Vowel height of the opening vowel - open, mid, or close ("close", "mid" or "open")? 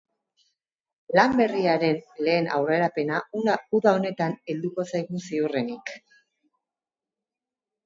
open